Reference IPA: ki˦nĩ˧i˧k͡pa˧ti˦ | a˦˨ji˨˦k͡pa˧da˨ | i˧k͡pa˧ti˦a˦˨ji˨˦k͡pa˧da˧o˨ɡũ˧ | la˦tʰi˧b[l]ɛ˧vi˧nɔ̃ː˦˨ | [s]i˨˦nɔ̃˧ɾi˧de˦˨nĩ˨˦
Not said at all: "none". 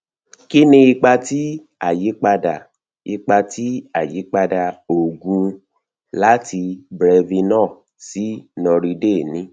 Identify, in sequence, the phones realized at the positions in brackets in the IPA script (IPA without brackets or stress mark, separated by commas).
ɾ, s